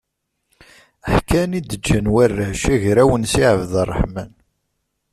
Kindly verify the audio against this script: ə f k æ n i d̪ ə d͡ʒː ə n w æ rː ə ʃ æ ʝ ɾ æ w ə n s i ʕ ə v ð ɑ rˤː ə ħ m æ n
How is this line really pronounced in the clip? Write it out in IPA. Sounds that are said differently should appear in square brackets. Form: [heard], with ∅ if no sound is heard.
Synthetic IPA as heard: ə [ħ] k æ n i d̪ ə d͡ʒː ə n w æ rː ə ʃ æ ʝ ɾ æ w ə n s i ʕ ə v ð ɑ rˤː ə ħ m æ n

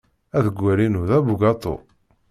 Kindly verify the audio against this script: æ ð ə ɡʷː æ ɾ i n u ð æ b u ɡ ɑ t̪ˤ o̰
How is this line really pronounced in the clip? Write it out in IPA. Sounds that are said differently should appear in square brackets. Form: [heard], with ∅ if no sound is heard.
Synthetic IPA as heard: æ ð ə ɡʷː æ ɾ i n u ð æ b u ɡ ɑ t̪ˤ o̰

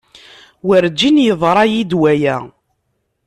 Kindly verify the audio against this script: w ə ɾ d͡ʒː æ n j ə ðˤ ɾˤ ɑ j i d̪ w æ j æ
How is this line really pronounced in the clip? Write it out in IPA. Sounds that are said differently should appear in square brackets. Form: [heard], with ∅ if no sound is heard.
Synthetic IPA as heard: w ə ɾ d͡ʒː [i] n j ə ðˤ ɾˤ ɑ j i d̪ w æ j æ

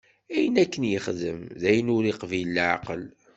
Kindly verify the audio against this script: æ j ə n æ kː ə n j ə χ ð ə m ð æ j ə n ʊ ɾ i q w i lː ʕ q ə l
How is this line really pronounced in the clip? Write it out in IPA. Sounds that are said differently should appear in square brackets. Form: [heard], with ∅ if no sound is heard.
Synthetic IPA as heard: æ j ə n æ kː ə n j ə χ ð ə m ð æ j ə n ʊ ɾ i q [v] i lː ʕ q ə l

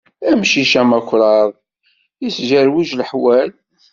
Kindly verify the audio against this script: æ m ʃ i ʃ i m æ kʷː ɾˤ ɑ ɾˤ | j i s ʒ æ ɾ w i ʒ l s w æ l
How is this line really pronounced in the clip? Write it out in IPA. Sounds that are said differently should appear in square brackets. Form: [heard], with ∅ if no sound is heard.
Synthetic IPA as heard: æ m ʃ i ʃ [æ] m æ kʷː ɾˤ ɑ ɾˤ | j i s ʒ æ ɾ w i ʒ l [ħ] w æ l

